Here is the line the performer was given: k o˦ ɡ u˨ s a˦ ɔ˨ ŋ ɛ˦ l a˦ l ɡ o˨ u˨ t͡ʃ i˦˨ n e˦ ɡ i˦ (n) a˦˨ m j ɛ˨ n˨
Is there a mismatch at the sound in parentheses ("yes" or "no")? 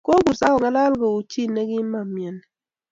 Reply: yes